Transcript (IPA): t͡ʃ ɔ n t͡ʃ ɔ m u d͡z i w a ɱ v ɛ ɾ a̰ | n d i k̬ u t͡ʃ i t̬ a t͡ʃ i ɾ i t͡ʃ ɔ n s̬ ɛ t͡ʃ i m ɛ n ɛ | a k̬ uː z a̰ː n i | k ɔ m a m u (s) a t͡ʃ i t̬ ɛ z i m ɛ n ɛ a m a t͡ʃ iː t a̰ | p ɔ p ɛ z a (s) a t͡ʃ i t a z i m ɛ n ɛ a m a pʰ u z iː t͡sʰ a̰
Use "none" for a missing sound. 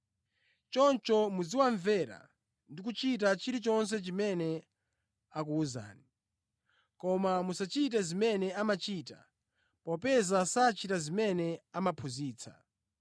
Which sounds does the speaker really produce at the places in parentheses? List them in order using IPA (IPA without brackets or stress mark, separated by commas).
s, s